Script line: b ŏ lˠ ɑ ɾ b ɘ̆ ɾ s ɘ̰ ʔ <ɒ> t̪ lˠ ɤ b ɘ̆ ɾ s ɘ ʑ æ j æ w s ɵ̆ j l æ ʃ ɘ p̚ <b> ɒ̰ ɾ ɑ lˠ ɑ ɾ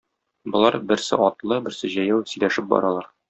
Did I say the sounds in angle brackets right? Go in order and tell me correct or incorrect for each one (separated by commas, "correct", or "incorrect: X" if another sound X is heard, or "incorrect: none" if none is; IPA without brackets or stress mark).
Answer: correct, correct